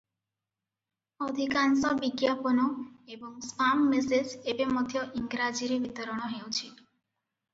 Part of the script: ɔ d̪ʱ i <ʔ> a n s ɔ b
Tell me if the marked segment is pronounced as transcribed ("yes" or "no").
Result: no